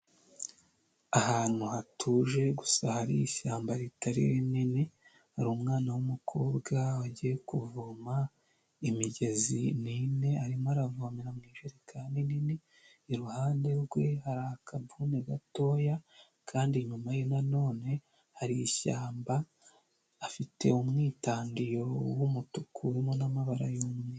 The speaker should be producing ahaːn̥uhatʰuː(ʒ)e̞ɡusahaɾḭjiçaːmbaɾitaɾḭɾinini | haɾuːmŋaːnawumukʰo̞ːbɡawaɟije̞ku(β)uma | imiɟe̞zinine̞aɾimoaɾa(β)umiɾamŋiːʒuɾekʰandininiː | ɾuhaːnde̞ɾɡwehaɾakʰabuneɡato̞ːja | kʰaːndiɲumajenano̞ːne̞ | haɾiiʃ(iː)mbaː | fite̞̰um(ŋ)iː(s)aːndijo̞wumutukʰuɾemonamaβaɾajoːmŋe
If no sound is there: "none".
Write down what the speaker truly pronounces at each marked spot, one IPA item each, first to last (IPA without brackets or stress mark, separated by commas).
ʒ, v, v, aː, ŋ, t